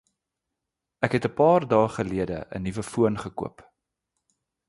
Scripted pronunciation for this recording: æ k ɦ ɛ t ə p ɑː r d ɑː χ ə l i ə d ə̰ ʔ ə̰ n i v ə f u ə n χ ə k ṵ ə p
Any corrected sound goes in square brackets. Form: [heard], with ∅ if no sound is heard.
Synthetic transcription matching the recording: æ k ɦ ɛ t ə p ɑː r d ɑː χ ə l i ə d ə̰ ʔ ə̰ n i v ə f u ə n χ ə k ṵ ə p